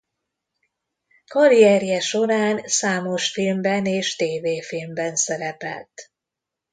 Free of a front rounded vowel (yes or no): yes